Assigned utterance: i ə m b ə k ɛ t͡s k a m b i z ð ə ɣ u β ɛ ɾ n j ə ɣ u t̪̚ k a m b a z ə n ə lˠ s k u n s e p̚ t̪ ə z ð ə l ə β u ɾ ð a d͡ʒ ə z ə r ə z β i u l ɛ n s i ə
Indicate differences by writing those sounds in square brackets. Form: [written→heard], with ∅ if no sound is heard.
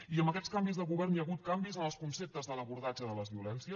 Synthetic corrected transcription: i ə m b ə k ɛ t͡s k a m b i z ð ə ɣ u β ɛ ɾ n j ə ɣ u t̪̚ k a m b [a→i] z ə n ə lˠ s k u n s e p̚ t̪ ə z ð ə l ə β u ɾ ð a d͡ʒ ə [z→ð] ə [r→l] ə z β i u l ɛ n s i ə